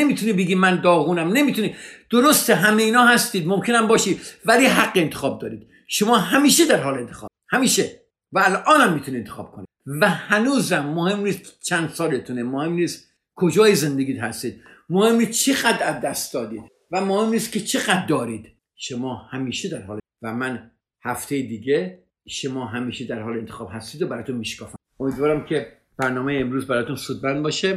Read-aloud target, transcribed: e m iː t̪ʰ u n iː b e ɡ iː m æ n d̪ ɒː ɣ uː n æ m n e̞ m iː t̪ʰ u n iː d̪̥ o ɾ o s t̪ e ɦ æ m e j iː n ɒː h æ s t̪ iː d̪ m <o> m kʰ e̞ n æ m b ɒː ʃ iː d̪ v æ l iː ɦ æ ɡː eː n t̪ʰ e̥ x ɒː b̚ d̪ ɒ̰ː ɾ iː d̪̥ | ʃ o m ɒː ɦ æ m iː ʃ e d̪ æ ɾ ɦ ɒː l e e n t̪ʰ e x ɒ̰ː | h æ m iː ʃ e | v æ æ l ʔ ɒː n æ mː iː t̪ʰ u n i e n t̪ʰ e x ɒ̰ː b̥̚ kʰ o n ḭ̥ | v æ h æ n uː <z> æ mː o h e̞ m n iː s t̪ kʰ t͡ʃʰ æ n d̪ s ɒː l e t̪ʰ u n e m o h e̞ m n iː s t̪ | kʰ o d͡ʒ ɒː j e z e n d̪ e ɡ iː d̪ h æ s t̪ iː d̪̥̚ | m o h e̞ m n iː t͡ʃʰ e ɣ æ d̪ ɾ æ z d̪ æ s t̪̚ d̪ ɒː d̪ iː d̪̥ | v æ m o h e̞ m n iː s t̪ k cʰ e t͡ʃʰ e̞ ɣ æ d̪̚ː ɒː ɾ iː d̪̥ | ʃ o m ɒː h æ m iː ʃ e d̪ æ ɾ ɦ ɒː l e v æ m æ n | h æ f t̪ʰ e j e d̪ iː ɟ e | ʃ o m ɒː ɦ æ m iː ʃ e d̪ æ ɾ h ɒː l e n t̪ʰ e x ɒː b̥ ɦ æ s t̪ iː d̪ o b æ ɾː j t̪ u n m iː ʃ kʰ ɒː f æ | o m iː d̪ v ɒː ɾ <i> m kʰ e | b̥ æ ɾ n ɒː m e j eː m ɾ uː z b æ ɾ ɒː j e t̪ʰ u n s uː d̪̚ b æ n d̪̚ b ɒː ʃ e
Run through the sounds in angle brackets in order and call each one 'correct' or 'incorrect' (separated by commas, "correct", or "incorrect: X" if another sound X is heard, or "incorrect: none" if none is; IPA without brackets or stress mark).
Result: correct, correct, incorrect: æ